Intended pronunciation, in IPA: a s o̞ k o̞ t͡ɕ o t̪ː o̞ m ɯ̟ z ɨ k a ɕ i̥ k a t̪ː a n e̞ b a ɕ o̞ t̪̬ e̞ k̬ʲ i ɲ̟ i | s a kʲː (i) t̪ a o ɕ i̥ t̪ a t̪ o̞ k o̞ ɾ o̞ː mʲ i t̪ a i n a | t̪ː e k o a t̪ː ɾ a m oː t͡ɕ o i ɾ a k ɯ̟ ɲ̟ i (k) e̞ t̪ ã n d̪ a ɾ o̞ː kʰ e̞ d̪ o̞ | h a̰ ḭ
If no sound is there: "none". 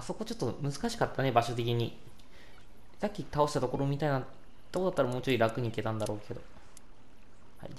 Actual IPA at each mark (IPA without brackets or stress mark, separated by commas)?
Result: i, k